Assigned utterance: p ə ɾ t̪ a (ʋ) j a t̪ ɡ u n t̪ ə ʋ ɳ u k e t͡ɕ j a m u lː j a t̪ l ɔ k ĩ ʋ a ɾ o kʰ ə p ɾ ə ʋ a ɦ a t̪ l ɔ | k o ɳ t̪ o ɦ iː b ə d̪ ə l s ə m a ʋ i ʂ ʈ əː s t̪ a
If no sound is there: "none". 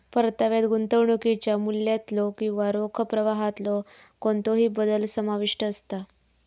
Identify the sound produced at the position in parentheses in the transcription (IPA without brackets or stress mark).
ʋ